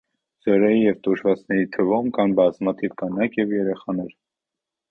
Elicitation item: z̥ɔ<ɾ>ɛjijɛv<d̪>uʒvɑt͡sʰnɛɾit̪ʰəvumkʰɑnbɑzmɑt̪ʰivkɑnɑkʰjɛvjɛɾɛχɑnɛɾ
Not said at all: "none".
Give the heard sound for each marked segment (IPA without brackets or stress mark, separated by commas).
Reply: ɾ, t̪